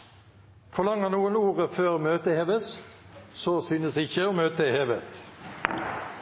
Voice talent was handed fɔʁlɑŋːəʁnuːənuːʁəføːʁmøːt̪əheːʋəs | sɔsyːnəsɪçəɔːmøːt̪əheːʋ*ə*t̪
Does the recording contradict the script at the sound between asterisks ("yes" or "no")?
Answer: no